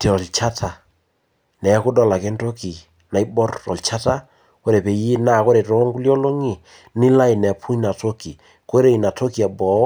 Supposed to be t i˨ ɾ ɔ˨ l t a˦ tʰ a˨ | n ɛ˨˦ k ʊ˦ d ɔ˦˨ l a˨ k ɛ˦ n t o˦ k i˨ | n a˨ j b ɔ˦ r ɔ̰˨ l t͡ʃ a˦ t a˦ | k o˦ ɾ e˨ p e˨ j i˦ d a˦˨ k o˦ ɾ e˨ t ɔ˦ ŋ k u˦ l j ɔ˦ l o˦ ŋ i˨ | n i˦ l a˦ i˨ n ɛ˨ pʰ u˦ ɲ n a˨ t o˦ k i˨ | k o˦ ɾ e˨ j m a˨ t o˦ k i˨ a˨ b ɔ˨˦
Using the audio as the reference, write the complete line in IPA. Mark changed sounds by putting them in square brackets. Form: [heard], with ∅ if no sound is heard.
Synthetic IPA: t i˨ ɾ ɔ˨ l [t͡ʃ] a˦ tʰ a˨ | n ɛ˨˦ k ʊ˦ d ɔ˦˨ l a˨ k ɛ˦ n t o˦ k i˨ | n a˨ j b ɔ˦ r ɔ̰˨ l t͡ʃ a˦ t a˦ | k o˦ ɾ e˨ p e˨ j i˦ [n] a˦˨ k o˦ ɾ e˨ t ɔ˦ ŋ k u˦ l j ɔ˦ l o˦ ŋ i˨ | n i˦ l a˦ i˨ n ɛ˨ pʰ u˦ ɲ n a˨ t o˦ k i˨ | k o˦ ɾ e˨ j [n] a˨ t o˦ k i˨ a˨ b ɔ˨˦